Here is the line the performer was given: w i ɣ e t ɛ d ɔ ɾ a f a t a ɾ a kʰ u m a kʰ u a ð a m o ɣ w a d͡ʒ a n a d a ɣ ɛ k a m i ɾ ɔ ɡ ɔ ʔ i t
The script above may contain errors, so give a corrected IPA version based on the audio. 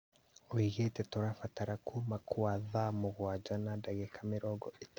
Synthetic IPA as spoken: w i ɣ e t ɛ t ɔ ɾ a f a t a ɾ a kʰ u m a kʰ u a ð a m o ɣ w a d͡ʒ a n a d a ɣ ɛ k a m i ɾ ɔ ɡ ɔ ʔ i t